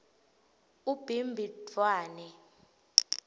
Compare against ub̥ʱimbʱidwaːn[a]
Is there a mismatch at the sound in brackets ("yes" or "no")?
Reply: yes